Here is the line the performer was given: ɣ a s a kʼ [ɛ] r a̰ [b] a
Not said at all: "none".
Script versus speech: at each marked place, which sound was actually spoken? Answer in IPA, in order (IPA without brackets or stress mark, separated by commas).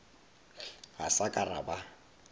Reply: a, b